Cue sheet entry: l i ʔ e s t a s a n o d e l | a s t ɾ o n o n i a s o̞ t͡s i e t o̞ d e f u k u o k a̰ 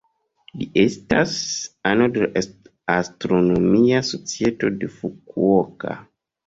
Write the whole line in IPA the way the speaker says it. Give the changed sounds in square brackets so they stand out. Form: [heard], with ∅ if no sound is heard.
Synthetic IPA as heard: l i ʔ e s t a s a n o d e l | a s t ɾ o n o [m] i a s o̞ t͡s i e t o̞ d e f u k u o k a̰